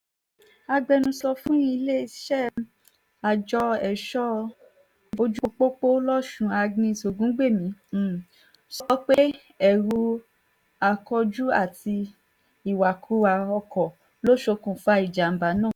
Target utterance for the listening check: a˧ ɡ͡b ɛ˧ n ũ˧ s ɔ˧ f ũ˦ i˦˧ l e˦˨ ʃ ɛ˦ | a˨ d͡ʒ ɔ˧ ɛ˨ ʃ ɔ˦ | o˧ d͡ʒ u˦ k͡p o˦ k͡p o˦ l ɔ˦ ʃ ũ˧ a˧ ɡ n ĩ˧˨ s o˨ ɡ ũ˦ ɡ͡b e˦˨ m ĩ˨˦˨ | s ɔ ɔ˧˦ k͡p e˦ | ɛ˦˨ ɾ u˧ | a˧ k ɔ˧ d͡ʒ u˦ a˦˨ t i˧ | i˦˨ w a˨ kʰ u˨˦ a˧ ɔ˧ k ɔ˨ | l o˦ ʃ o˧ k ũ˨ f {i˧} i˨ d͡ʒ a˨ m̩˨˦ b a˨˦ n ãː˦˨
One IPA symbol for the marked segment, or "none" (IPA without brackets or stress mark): a˧